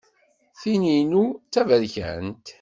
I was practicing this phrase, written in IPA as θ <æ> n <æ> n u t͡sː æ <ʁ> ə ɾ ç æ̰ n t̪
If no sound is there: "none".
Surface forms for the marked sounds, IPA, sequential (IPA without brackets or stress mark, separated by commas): i, i, v